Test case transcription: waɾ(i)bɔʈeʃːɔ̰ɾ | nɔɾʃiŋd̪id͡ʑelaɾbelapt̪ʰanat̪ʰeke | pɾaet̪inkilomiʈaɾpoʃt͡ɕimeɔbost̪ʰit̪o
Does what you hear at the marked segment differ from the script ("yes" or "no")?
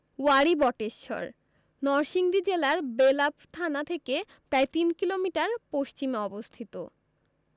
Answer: no